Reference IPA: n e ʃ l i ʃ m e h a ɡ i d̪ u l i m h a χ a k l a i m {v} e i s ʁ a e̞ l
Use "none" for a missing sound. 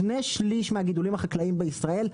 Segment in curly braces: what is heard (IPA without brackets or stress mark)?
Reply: b